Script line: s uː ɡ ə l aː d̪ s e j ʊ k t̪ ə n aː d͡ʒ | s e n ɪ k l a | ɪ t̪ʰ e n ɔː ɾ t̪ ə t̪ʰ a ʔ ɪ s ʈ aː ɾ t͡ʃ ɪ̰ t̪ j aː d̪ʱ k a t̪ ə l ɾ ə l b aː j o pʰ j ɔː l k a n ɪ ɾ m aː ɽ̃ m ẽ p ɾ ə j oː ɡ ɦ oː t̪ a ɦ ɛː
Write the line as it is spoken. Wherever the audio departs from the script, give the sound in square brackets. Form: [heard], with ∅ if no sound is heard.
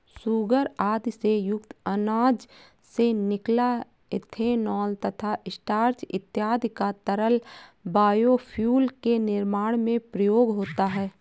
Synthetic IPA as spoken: s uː ɡ ə [ɾ] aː d̪ s e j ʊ k t̪ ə n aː d͡ʒ | s e n ɪ k l a | ɪ t̪ʰ e n ɔː [l] t̪ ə t̪ʰ a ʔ ɪ s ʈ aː ɾ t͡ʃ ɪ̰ t̪ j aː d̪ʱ k a t̪ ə [∅] ɾ ə l b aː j o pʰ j [uː] l k [e] n ɪ ɾ m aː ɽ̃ m ẽ p ɾ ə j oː ɡ ɦ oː t̪ a ɦ ɛː